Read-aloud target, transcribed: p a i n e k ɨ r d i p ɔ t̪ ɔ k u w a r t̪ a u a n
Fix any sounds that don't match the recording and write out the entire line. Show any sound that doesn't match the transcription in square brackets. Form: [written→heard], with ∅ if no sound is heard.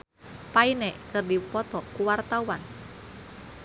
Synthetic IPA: p a i n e k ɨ r d i p ɔ t̪ ɔ k u w a r t̪ a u a n